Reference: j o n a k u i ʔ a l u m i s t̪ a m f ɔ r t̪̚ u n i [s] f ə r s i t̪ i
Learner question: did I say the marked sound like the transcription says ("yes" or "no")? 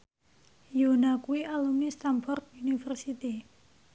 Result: no